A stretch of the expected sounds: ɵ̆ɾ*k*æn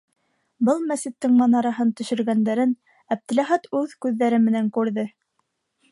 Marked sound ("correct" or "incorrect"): incorrect